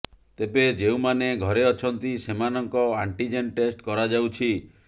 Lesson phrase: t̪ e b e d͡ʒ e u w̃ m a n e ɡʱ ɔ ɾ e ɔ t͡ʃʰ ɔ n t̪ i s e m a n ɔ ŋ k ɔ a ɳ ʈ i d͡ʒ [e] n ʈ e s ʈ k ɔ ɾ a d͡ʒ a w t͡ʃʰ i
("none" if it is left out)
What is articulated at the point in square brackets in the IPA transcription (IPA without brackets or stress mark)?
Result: e